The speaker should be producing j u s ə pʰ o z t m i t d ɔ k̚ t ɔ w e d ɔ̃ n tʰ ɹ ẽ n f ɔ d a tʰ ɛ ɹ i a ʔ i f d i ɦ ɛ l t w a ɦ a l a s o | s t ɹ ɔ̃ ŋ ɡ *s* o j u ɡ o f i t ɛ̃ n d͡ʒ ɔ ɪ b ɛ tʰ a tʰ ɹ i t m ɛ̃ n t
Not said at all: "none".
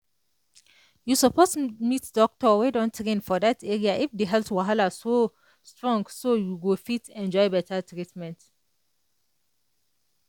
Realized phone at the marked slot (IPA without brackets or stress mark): s